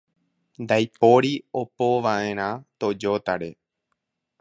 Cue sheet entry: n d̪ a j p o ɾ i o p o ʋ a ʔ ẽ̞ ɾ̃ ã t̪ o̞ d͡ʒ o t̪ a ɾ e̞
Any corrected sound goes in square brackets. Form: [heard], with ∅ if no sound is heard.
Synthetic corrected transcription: n d̪ a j p o ɾ i o p o ʋ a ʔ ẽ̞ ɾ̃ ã t̪ o̞ d͡ʒ o t̪ a ɾ e̞